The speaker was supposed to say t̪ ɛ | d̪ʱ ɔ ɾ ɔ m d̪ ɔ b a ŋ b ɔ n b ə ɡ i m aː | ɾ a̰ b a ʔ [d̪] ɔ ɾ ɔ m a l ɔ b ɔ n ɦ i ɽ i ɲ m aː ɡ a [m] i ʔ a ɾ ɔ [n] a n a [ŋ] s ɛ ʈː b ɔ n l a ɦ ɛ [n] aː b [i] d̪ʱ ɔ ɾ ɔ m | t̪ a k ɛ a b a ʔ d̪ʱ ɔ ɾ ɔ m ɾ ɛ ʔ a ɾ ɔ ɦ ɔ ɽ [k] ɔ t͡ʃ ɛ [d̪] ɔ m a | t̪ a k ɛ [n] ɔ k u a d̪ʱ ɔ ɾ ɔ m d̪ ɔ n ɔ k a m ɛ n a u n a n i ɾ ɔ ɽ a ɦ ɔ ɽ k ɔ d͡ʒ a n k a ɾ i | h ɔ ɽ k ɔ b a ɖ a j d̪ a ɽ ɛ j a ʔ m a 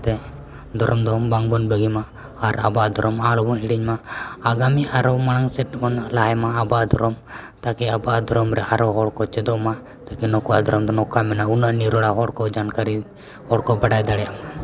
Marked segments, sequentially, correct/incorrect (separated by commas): correct, correct, incorrect, correct, incorrect, incorrect, correct, correct, correct